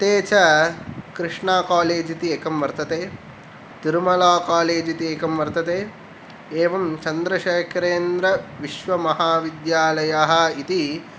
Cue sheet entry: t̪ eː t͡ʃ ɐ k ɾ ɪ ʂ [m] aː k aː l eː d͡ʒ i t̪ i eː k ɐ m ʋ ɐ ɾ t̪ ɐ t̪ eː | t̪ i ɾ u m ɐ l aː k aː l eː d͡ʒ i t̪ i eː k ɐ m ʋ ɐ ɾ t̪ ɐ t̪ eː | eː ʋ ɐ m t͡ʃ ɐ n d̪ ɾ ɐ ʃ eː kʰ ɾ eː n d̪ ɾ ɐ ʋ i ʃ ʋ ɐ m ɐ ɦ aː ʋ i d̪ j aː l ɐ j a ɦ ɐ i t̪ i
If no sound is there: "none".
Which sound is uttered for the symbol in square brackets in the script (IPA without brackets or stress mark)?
ɳ